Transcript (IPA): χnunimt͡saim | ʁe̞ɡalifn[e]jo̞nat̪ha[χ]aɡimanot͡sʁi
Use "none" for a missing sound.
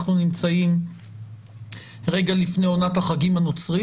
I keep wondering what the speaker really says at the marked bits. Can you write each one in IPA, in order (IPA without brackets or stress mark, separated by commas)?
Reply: e, χ